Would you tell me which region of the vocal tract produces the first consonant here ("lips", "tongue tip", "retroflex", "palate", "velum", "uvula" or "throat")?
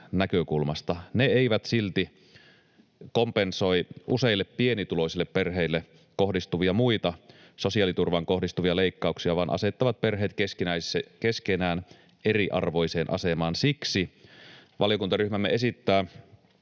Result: tongue tip